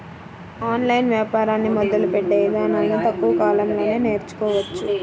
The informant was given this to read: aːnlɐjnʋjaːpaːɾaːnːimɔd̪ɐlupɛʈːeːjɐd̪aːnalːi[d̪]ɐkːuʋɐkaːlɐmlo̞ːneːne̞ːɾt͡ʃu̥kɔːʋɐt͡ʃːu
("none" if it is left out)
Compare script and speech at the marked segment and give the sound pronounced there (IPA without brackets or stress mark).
t̪